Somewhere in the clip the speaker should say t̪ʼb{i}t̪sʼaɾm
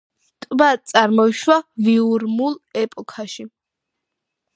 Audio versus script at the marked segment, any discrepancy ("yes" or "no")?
yes